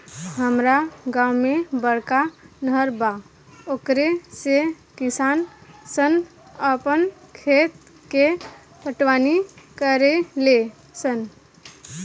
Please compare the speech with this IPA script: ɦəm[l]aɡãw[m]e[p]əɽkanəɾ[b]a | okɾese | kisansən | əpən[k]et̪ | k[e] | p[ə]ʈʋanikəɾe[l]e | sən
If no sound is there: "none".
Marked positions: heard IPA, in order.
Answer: ɾ, m, b, b, kʰ, e, ə, l

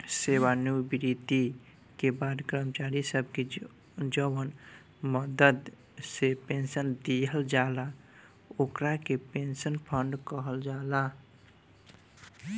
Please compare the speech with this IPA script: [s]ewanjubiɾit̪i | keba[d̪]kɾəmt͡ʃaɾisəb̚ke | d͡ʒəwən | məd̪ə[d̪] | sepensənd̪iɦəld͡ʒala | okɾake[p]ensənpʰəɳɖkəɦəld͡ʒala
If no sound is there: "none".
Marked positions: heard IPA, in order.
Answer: s, d̪, d̪, p

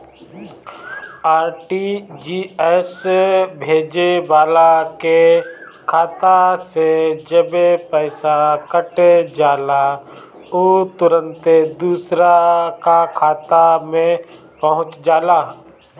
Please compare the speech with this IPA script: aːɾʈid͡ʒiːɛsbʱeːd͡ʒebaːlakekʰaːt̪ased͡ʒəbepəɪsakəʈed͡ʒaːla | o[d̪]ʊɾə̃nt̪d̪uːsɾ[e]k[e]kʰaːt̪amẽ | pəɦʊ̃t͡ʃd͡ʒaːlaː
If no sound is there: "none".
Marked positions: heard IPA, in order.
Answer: t̪, a, a

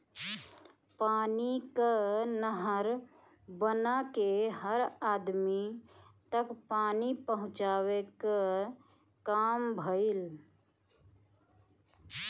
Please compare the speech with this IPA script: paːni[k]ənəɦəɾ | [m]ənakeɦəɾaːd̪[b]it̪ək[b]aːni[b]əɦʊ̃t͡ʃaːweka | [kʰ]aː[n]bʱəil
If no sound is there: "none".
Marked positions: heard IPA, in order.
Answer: k, b, m, p, p, k, m

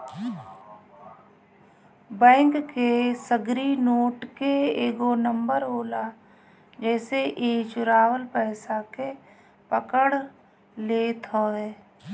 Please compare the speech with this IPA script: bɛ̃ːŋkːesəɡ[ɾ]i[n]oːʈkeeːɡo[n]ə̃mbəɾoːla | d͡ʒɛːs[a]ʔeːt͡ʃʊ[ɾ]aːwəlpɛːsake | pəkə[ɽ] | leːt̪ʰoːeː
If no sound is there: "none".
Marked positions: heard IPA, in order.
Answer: ɾ, n, n, e, ɾ, ɽ

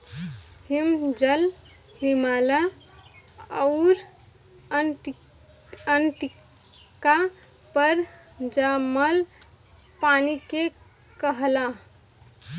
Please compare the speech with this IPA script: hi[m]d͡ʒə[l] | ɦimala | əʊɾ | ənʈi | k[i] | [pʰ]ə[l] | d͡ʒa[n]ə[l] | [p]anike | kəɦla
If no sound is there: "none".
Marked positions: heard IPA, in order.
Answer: m, l, a, p, ɾ, m, l, p

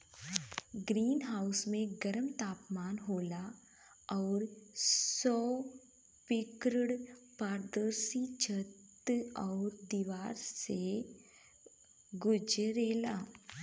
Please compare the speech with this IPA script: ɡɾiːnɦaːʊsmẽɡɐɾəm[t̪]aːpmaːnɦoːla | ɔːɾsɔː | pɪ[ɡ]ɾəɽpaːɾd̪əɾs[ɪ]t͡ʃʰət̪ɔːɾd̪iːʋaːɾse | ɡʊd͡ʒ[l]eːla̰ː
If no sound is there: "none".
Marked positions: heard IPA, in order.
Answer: t̪, k, i, ɾ

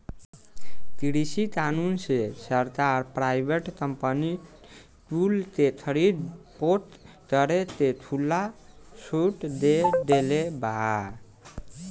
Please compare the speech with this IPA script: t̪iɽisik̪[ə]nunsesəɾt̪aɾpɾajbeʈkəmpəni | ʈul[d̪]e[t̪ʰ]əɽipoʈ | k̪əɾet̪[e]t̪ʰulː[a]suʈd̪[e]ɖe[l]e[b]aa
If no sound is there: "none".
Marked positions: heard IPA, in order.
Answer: a, t̪, t̪ʰ, e, a, e, l, b

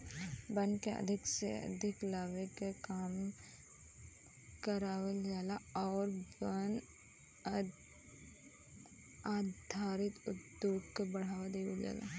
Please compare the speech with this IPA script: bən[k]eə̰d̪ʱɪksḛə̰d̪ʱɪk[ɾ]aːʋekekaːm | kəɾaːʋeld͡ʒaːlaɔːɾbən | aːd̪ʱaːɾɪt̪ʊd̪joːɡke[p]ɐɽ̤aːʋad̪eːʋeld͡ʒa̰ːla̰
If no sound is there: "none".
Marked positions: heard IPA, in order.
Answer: k, l, b

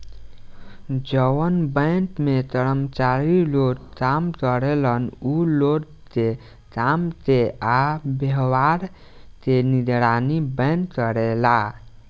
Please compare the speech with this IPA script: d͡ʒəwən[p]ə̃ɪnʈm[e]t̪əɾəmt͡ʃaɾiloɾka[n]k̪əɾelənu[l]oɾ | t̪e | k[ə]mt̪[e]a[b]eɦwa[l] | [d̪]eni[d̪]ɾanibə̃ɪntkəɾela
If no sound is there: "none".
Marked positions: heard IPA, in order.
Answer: b, e, m, l, a, e, b, ɾ, t̪, d̪

